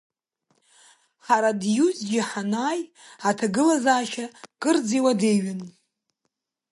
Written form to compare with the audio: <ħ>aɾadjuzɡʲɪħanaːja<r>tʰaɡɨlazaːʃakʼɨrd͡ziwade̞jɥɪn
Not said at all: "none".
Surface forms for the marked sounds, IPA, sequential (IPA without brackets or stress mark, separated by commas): ħ, none